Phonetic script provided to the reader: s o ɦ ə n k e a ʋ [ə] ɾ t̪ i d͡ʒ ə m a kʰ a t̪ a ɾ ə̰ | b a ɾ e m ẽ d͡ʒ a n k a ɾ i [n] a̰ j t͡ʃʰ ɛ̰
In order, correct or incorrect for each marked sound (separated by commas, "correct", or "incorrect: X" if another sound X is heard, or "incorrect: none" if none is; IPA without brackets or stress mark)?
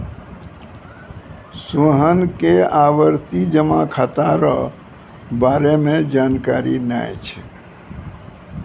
correct, correct